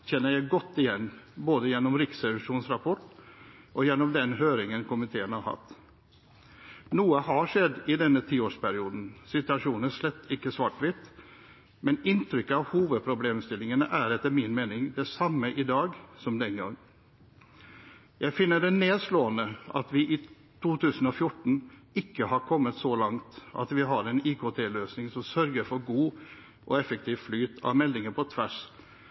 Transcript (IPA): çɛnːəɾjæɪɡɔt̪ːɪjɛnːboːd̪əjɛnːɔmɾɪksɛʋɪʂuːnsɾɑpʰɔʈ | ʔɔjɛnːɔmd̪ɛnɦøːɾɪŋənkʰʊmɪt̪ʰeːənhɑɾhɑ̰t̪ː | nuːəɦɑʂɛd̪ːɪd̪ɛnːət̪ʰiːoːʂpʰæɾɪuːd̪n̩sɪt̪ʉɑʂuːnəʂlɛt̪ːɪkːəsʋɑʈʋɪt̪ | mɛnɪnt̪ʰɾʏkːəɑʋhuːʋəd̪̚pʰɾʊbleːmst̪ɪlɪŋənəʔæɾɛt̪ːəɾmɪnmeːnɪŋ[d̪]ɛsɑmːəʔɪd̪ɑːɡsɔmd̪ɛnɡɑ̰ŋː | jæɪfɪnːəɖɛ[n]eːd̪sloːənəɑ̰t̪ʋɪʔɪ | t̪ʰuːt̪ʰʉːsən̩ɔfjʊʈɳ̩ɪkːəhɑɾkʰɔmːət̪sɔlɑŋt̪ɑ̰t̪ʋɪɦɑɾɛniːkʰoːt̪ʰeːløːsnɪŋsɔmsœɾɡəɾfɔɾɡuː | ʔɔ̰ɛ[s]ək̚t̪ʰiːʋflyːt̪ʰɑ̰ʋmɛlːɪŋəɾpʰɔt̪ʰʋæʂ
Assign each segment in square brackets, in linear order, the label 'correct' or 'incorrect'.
correct, correct, incorrect: f

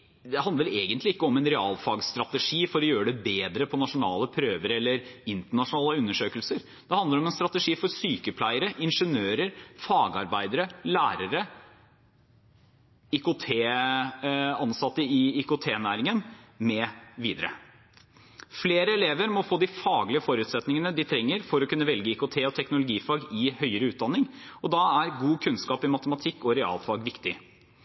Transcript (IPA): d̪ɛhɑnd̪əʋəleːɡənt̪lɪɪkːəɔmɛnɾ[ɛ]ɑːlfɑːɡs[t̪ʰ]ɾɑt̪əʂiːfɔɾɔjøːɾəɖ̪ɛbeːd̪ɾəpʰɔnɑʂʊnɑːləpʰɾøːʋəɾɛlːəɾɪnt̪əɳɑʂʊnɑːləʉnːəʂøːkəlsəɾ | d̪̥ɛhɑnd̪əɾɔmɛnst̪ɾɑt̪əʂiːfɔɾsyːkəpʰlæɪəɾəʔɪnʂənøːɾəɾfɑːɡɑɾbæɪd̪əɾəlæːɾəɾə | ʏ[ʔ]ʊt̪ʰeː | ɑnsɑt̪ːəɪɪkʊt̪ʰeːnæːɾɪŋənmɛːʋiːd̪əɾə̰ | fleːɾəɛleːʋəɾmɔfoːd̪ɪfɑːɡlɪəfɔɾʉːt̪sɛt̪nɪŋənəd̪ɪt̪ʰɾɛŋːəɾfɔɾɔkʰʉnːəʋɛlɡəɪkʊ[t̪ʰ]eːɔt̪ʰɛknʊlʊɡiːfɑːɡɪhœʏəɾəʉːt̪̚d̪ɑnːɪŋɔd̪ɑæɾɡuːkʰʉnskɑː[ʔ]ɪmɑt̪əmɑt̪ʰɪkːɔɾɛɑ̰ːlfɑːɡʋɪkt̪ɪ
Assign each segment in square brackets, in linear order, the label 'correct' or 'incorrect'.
correct, incorrect: t̪, incorrect: k, correct, incorrect: p

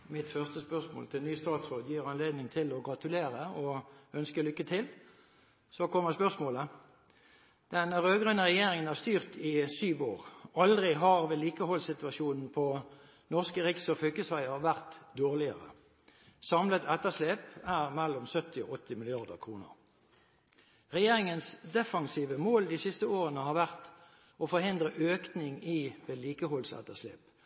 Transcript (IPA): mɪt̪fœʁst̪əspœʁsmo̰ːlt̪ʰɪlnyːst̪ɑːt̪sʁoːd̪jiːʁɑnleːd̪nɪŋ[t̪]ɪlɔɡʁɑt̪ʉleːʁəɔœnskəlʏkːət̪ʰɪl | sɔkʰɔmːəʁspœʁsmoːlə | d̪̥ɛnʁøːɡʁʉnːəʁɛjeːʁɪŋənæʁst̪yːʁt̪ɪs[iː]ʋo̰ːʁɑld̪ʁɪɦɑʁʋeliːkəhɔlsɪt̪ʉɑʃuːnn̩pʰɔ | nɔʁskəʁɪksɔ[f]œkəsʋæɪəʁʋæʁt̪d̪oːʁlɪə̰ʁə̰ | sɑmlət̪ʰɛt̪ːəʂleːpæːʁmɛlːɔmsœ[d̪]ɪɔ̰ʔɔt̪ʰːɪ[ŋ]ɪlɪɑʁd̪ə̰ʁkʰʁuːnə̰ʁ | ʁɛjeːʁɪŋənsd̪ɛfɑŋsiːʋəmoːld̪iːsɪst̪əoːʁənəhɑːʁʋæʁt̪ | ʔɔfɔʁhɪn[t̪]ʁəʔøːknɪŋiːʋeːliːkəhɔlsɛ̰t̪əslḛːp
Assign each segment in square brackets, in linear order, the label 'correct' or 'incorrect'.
incorrect: t̪ʰ, incorrect: yː, correct, incorrect: t̪, incorrect: m, incorrect: d̪

